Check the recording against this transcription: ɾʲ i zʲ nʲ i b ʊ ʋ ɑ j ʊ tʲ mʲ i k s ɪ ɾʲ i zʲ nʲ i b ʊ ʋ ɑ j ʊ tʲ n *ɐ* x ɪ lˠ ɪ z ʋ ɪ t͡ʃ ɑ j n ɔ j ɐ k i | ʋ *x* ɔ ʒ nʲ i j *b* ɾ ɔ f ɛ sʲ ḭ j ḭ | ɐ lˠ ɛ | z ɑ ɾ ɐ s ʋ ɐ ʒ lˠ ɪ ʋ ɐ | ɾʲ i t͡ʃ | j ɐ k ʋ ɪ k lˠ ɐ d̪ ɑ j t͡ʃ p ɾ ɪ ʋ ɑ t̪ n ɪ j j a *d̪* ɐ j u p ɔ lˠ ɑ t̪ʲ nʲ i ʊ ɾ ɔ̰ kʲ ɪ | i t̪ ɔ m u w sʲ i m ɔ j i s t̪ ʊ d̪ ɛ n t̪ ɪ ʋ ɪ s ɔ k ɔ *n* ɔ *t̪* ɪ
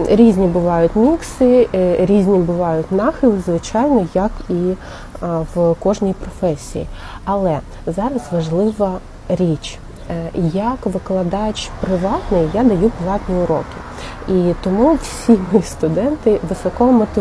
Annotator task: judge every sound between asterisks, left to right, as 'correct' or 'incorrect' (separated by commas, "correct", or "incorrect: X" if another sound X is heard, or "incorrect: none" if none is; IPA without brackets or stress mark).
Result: incorrect: ɑ, incorrect: k, incorrect: p, correct, incorrect: m, correct